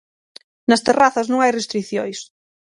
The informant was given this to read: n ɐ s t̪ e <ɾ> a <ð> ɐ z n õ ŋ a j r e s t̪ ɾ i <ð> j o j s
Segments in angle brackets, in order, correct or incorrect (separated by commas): incorrect, incorrect, incorrect